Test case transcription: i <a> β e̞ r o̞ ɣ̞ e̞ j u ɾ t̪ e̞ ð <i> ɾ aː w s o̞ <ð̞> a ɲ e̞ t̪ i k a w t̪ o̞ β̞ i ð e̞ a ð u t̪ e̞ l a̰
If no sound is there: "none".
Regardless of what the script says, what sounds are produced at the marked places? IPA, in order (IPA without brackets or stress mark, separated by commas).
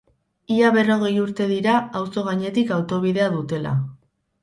a, i, ɣ̞